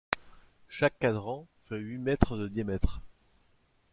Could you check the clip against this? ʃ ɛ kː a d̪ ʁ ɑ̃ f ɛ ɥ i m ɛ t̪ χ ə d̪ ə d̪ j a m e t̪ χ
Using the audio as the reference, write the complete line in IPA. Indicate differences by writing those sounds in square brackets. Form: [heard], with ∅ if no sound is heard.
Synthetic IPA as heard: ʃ [a] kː a d̪ ʁ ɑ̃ f ɛ ɥ i m ɛ t̪ χ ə d̪ ə d̪ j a m [ɛ] t̪ χ

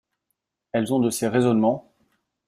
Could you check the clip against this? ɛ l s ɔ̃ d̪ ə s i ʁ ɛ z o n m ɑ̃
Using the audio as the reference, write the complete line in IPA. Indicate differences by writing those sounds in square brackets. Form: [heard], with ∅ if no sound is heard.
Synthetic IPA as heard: ɛ l [z] ɔ̃ d̪ ə s [e] ʁ [e] z [ɔ] n m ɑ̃

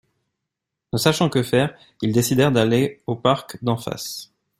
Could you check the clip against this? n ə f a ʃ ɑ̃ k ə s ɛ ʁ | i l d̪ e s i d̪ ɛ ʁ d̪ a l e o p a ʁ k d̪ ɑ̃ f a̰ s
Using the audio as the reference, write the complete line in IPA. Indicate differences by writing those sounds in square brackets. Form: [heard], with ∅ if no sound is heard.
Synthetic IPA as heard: n ə [s] a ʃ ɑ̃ k ə [f] ɛ ʁ | i l d̪ e s i d̪ ɛ ʁ d̪ a l e o p a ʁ k d̪ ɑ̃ f a̰ s

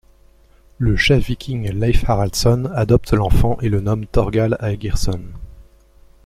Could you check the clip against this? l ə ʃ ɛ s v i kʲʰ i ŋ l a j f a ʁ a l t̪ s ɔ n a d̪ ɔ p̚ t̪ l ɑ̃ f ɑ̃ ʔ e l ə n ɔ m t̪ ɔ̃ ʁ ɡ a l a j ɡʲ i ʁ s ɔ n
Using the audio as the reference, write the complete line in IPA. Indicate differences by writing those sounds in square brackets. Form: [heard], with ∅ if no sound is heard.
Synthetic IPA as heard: l ə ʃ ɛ [f] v i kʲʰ i ŋ l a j f a ʁ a l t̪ s ɔ n a d̪ ɔ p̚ t̪ l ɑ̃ f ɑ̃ ʔ e l ə n ɔ m t̪ [ɔ] ʁ ɡ a l a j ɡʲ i ʁ s ɔ n

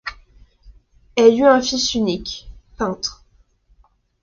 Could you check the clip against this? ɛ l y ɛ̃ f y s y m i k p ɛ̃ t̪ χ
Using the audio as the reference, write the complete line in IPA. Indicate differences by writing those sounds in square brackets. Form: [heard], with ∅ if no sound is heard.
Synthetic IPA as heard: ɛ l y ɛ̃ f [i] s y [n] i k p ɛ̃ t̪ χ

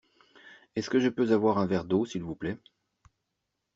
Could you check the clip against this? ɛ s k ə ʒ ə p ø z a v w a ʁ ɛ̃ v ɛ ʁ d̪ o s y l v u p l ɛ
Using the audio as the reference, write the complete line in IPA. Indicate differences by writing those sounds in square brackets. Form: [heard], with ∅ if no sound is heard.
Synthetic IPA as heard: ɛ s k ə ʒ ə p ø z a v w a ʁ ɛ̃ v ɛ ʁ d̪ o s [i] l v u p l ɛ

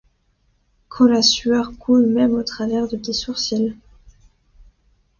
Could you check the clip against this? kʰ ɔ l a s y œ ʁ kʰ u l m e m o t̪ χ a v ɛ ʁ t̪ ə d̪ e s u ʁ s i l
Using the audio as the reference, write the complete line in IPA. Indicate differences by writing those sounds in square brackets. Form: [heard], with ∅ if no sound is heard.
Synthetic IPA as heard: kʰ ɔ l a s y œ ʁ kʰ u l m [ɛ] m o t̪ χ a v ɛ ʁ [d̪] ə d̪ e s u ʁ s i l

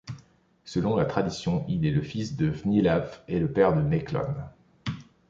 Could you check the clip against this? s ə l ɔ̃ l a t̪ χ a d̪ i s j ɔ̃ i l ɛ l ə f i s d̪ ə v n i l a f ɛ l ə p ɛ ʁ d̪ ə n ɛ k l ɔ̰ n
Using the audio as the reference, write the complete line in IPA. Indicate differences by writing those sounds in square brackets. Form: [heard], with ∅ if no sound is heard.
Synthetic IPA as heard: s ə l ɔ̃ l a t̪ χ a d̪ i s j ɔ̃ i l ɛ l ə f i s d̪ ə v n i l a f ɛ l ə p ɛ ʁ d̪ ə n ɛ k l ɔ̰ n

